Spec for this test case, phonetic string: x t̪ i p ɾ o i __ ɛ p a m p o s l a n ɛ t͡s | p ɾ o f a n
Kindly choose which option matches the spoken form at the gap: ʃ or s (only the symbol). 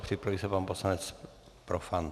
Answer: s